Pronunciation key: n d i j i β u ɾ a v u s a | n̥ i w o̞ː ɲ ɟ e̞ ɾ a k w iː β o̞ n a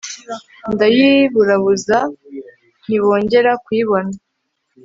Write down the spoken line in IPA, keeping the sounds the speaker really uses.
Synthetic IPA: n d a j i β u ɾ a β u z a | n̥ i β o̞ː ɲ ɟ e̞ ɾ a k w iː β o̞ n a